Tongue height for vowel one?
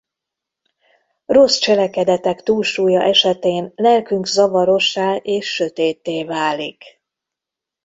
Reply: mid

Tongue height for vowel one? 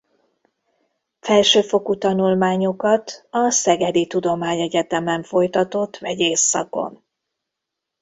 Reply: mid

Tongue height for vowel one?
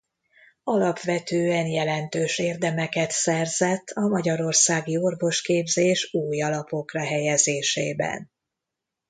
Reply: low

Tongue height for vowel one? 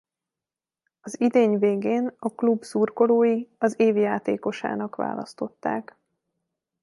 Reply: low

